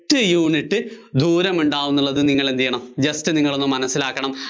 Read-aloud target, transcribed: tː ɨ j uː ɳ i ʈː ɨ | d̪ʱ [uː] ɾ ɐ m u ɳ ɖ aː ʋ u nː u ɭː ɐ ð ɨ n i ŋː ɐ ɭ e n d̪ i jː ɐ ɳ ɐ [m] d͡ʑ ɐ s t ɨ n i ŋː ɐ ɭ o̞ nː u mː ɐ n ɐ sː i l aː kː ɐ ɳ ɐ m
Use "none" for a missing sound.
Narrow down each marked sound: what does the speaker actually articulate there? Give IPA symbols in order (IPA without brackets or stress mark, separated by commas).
uː, m